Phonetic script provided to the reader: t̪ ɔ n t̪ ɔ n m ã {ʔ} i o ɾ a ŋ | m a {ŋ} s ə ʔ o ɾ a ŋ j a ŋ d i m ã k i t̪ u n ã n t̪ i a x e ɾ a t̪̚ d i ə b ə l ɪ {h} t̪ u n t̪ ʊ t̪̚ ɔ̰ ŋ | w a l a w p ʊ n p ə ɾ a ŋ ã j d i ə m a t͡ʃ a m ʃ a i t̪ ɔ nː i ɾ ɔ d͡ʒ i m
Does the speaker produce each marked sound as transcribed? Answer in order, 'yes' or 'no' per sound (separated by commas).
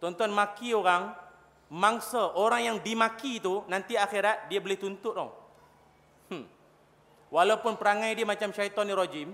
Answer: no, yes, yes